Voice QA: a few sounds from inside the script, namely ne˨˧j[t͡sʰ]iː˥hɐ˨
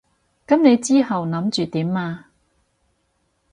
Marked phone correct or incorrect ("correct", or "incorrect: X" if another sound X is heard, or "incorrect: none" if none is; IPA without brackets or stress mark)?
incorrect: t͡s